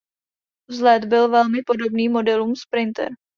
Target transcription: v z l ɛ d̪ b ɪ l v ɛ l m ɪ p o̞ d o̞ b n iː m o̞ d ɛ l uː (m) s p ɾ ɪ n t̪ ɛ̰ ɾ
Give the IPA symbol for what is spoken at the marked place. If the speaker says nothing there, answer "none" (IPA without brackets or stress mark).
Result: m